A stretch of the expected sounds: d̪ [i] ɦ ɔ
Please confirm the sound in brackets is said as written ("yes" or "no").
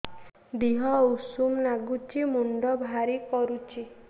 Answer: yes